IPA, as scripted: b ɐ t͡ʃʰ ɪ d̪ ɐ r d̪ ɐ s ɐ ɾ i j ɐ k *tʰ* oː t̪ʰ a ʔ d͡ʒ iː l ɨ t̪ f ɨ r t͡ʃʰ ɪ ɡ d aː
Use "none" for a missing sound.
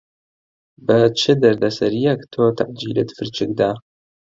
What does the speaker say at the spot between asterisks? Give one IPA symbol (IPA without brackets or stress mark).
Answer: tʰ